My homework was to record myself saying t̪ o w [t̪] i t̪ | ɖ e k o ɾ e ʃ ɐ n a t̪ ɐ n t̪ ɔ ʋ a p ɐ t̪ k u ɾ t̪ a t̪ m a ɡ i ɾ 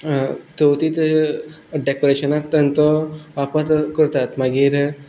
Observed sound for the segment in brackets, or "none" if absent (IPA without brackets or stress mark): t̪